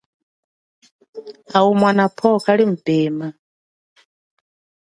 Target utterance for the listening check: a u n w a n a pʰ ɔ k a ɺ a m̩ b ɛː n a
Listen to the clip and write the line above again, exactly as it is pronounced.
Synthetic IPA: a u m w a n a pʰ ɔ k a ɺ i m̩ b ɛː m a